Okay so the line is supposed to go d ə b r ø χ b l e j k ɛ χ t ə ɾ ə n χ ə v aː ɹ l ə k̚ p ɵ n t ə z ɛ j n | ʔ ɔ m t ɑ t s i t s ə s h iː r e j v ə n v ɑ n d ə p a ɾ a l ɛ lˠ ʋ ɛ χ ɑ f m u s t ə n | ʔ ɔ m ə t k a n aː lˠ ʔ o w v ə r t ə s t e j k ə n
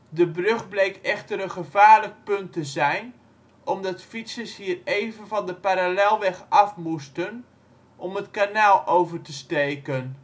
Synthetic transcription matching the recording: d ə b r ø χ b l e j k ɛ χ t ə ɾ ə n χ ə v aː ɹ l ə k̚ p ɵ n t ə z ɛ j n | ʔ ɔ m d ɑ t f i t s ə s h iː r e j v ə n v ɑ n d ə p a ɾ a l ɛ lˠ ʋ ɛ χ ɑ f m u s t ə n | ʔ ɔ m ə t k a n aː lˠ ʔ o w v ə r t ə s t e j k ə n